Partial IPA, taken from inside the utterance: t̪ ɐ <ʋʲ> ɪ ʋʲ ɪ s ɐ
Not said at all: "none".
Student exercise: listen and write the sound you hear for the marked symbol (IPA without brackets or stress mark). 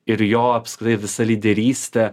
none